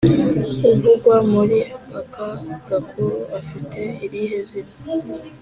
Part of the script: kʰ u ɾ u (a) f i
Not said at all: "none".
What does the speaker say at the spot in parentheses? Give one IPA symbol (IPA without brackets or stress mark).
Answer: a